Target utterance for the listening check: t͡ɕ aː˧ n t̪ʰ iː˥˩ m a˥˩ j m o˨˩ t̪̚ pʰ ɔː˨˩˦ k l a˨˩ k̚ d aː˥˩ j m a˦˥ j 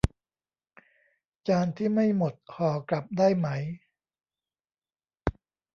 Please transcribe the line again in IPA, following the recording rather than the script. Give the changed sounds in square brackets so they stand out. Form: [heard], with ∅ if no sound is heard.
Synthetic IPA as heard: t͡ɕ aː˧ n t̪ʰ iː˥˩ m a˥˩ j m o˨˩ t̪̚ [kʰ] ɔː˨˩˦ k l a˨˩ [p̚] d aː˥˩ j m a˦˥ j